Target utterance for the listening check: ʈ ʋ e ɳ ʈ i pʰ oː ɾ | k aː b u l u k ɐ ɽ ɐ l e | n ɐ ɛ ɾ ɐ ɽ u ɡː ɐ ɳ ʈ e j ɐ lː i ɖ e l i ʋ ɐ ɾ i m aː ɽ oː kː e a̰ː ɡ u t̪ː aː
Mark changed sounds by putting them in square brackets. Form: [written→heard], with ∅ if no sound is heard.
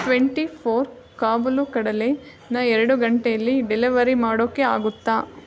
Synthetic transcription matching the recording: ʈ ʋ e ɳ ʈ i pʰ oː ɾ | k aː b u l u k ɐ ɽ ɐ l e | n ɐ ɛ ɾ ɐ ɽ u [ɡː→ɡ] ɐ ɳ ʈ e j ɐ lː i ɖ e l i ʋ ɐ ɾ i m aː ɽ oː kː e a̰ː ɡ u t̪ː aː